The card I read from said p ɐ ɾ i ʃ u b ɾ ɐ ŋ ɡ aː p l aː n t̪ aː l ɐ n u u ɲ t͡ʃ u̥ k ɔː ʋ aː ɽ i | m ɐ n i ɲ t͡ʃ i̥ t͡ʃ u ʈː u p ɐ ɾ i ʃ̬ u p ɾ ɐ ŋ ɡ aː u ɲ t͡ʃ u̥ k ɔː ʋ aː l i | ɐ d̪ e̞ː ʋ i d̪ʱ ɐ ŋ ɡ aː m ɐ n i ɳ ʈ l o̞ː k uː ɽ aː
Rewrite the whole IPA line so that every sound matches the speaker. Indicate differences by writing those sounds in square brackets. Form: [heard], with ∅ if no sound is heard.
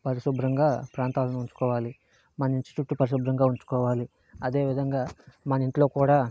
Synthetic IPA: p ɐ ɾ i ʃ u b ɾ ɐ ŋ ɡ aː p [ɾ] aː n t̪ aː l ɐ n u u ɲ t͡ʃ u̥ k ɔː ʋ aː [l] i | m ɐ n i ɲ t͡ʃ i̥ t͡ʃ u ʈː u p ɐ ɾ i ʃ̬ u [b] ɾ ɐ ŋ ɡ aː u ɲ t͡ʃ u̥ k ɔː ʋ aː l i | ɐ d̪ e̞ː ʋ i d̪ʱ ɐ ŋ ɡ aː m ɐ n i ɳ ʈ l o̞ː k uː ɽ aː